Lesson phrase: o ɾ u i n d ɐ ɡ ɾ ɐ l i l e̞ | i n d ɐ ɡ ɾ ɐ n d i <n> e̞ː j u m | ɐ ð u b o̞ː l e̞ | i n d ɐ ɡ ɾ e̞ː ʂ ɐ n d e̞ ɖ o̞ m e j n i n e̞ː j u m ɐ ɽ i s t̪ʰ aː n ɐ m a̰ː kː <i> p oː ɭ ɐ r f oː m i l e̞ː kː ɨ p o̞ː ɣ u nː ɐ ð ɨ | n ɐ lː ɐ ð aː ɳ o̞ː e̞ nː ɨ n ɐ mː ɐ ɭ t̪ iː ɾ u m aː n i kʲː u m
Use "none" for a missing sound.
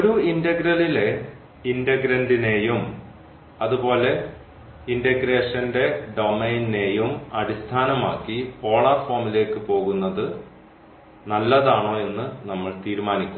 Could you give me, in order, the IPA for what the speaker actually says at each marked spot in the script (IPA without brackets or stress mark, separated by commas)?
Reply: n, i